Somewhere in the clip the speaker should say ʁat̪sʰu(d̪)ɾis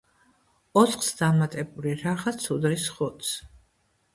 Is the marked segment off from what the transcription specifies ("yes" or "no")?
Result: no